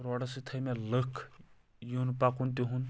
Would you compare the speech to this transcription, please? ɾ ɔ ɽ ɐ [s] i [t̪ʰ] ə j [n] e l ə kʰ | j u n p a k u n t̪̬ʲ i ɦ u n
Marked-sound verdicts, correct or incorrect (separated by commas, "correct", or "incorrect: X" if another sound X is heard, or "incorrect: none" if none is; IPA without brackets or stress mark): correct, correct, incorrect: m